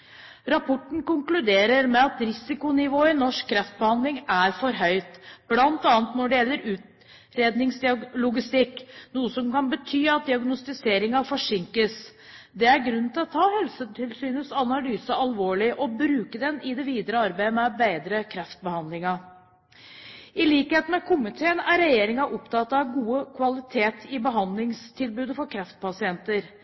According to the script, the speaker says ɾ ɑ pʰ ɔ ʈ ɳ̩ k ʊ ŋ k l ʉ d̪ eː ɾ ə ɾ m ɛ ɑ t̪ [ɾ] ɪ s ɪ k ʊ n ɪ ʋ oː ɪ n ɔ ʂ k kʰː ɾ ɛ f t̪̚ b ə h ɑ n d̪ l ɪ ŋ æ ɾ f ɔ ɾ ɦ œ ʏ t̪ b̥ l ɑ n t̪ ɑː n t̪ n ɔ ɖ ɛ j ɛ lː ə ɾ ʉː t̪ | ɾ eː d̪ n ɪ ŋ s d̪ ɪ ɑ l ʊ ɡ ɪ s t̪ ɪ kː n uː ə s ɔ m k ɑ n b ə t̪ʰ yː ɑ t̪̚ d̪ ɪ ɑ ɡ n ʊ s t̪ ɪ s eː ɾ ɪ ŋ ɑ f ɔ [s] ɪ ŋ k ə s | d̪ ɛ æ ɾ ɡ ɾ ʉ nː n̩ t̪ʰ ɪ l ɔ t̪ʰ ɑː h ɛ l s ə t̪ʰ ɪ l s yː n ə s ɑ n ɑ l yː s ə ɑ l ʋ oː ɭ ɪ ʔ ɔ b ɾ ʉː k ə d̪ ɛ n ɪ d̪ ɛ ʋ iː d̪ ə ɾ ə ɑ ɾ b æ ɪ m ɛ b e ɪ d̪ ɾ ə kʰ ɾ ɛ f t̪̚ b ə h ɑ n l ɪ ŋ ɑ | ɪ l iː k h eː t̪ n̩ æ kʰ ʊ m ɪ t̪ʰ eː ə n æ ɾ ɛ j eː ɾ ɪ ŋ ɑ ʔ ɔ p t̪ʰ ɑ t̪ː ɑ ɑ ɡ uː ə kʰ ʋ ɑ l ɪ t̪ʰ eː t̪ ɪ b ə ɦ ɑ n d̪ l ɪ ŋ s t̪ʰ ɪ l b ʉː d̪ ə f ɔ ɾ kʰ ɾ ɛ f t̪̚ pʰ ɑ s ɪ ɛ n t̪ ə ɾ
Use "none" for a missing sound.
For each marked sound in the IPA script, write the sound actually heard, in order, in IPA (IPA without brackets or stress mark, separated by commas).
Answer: ɾ, ʂ